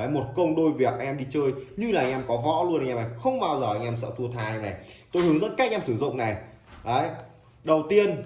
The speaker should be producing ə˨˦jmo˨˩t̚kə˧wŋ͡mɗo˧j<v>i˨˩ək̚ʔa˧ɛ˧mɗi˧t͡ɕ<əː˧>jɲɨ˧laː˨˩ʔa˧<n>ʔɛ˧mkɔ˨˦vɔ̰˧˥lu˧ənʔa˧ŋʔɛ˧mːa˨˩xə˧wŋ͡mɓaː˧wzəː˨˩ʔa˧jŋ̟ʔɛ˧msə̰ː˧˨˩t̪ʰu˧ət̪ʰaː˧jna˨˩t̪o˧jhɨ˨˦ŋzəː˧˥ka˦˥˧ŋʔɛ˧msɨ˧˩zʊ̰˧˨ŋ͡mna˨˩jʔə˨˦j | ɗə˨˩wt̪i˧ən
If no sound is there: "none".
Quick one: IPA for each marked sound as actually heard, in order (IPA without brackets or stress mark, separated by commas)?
v, əː˧, ŋ